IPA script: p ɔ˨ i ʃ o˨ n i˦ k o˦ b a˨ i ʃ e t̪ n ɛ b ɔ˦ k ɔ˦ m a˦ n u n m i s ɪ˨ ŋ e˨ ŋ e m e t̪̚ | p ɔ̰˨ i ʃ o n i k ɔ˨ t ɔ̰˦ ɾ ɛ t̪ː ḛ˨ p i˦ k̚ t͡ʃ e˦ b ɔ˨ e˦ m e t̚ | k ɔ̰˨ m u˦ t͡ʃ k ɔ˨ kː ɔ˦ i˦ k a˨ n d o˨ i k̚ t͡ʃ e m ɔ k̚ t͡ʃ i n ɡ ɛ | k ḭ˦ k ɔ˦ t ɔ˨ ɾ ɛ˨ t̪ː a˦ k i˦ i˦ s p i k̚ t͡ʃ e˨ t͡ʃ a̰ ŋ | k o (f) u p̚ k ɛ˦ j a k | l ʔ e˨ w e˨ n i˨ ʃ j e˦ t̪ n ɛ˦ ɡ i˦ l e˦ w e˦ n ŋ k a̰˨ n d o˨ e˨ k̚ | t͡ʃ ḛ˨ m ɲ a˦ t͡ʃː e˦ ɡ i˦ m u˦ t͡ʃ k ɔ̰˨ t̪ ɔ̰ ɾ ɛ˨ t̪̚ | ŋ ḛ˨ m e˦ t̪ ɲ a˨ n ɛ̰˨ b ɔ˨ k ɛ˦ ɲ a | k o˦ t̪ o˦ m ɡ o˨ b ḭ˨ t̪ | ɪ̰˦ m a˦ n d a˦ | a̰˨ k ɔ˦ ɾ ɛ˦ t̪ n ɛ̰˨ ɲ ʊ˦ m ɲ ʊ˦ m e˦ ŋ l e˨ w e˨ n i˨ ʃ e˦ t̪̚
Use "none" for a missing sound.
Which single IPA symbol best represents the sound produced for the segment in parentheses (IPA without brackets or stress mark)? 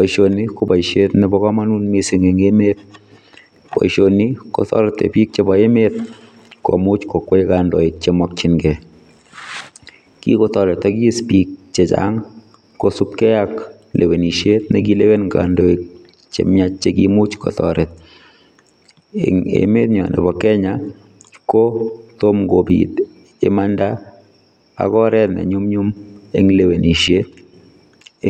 s